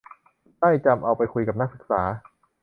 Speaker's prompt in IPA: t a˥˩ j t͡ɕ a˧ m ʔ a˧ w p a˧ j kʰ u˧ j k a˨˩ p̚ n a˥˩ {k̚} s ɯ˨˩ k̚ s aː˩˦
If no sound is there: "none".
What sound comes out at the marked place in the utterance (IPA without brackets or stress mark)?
k̚